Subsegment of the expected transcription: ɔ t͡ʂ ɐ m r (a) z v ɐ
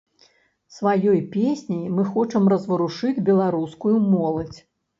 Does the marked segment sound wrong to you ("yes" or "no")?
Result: yes